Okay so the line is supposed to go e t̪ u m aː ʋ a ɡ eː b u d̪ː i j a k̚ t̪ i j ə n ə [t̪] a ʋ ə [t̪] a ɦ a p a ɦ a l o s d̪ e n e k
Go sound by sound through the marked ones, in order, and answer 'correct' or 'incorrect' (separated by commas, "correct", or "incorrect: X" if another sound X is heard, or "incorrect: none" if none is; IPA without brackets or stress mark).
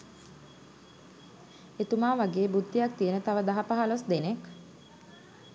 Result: correct, incorrect: d̪